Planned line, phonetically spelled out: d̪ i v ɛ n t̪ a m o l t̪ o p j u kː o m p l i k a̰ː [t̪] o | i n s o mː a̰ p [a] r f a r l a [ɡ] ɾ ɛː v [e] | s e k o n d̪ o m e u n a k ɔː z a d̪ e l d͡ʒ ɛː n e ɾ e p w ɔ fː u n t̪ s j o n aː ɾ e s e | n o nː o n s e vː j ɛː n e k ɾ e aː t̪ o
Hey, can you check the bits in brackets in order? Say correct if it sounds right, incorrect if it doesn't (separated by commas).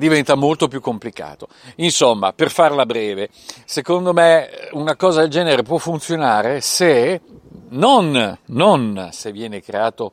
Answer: correct, incorrect, incorrect, correct